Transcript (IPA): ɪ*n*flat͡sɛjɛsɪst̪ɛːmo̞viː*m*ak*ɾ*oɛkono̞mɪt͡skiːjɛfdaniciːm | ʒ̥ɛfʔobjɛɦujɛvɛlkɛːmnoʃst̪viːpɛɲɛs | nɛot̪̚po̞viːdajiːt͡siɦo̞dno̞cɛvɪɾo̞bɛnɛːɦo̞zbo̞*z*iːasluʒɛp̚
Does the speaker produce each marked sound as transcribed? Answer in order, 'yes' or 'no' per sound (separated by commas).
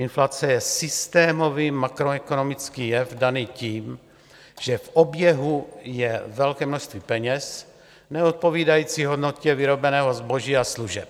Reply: yes, yes, yes, no